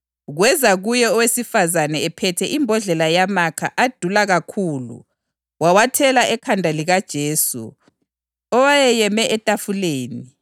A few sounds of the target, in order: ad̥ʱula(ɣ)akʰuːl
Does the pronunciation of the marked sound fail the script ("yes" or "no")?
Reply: no